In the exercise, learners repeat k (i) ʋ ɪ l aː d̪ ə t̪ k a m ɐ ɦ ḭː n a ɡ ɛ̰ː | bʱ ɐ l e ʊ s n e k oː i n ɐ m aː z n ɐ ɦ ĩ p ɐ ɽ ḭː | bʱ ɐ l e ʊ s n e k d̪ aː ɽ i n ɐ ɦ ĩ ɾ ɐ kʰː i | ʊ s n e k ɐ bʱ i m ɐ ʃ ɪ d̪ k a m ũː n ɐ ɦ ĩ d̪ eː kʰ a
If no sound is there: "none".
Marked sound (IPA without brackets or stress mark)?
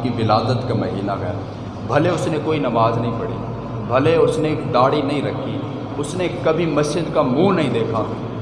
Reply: i